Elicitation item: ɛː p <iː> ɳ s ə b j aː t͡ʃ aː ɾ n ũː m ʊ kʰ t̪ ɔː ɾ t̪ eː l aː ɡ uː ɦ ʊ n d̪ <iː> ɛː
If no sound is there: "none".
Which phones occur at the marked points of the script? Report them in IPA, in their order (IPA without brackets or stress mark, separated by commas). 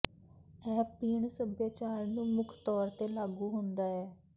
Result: iː, aː